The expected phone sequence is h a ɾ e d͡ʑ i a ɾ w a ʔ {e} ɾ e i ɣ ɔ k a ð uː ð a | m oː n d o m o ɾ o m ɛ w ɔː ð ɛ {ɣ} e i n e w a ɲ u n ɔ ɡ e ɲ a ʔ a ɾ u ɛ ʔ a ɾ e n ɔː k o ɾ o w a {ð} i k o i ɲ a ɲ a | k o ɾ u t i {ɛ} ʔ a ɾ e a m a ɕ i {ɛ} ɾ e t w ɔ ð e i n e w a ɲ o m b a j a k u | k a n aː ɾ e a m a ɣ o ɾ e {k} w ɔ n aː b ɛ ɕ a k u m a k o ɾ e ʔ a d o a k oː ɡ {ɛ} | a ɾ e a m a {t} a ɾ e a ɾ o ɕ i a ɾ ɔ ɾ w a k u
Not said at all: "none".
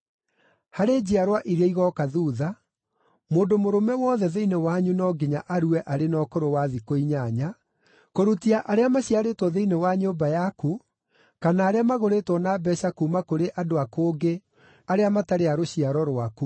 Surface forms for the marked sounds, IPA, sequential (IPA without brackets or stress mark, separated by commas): i, ð, ð, a, a, t, e, t